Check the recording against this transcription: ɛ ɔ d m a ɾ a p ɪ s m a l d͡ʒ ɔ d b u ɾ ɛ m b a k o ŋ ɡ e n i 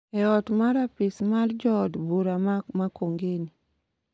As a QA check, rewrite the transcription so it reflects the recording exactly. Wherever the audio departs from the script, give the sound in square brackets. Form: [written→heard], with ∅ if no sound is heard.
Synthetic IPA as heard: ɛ ɔ [d→t] m a ɾ a p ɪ s m a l d͡ʒ ɔ d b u ɾ [ɛ→a] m [b→m] a k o ŋ ɡ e n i